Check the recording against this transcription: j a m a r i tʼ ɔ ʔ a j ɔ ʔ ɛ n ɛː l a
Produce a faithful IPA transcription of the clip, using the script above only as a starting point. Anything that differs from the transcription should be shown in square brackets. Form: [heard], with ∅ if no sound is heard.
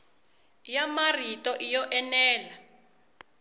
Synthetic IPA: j a m a r i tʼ ɔ ʔ [i] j ɔ ʔ ɛ n ɛː l a